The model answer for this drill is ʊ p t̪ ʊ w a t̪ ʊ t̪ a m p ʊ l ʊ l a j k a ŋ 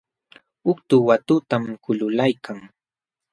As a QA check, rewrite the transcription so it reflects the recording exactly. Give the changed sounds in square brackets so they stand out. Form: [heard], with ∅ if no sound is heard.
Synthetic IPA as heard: ʊ [k] t̪ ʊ w a t̪ ʊ t̪ a m [k] ʊ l ʊ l a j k a ŋ